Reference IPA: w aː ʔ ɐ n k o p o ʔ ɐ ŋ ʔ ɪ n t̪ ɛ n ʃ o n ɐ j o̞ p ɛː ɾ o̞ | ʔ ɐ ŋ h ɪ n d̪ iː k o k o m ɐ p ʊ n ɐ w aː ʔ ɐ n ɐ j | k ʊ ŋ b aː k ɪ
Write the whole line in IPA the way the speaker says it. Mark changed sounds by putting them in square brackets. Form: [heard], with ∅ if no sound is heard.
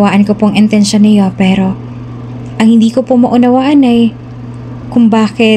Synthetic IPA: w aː ʔ ɐ n k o p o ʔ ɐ ŋ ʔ ɪ n t̪ ɛ n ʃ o n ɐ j o̞ p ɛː ɾ o̞ | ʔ ɐ ŋ h ɪ n d̪ iː k o [p] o m ɐ [ʔ] ʊ n ɐ w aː ʔ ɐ n ɐ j | k ʊ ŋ b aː k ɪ